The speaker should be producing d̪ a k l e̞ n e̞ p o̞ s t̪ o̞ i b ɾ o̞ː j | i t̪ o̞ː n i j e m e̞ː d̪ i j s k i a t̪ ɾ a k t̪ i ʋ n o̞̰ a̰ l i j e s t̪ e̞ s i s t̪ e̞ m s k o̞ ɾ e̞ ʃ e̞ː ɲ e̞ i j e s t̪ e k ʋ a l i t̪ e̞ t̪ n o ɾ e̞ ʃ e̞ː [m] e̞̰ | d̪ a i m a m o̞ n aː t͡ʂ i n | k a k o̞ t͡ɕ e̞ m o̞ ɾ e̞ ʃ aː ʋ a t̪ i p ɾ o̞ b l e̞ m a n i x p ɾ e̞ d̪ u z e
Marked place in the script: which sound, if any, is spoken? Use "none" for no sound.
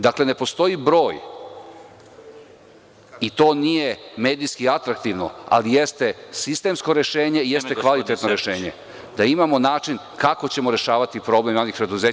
ɲ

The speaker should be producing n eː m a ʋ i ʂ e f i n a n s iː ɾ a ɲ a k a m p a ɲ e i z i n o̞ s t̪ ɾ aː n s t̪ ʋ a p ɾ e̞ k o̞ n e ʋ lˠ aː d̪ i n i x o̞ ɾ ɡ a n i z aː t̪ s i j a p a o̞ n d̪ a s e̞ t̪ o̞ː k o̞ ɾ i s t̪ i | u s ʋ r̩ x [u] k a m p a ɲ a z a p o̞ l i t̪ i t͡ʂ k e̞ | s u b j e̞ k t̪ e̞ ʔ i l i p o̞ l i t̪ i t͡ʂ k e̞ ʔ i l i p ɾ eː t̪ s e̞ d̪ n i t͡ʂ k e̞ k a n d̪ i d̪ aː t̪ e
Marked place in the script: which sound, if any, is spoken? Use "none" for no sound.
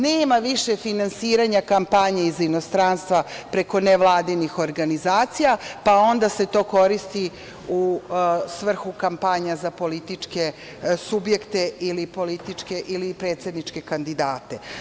u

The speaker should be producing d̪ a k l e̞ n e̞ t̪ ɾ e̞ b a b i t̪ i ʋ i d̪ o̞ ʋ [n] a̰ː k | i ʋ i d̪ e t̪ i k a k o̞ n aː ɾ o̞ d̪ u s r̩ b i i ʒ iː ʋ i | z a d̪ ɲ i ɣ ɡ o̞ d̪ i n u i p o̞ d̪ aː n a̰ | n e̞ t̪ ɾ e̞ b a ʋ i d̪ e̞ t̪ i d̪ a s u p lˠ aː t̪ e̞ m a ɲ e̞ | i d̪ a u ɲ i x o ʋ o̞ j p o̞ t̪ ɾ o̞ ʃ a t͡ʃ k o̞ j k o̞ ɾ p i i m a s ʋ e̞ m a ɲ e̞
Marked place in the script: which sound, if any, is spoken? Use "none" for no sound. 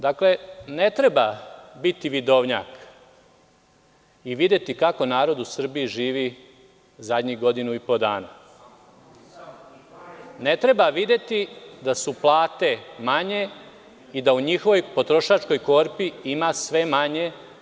ɲ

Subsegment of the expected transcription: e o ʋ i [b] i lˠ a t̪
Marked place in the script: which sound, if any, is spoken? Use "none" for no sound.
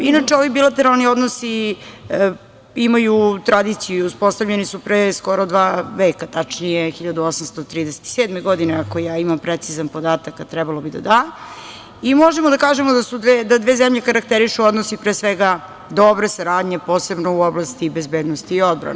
b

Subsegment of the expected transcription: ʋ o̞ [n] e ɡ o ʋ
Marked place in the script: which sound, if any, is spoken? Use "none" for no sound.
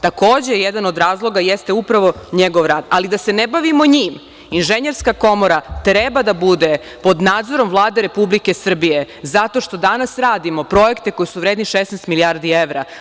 ɲ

